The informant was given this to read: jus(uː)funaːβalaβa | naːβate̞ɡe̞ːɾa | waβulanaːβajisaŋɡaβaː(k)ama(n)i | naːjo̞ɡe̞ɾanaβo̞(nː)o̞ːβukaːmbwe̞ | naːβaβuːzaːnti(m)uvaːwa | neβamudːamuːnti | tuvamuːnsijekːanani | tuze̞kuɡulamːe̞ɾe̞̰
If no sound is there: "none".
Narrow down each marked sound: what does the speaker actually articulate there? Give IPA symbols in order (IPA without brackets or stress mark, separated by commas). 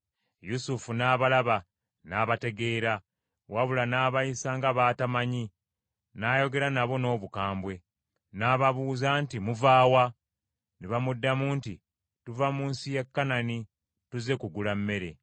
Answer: u, t, ɲ, n, m